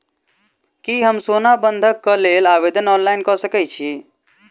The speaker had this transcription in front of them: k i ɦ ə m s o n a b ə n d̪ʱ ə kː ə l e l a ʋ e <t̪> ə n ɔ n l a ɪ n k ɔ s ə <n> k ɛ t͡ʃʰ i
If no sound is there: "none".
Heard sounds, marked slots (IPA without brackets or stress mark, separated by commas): d̪, none